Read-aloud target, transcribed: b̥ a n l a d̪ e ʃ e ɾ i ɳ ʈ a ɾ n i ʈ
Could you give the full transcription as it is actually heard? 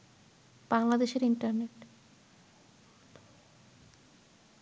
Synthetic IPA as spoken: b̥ a ŋ l a d̪ e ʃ e ɾ i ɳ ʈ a ɾ n e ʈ